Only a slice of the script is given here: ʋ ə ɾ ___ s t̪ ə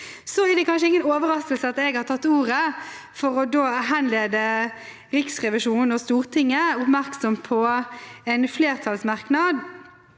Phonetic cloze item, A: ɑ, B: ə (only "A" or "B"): A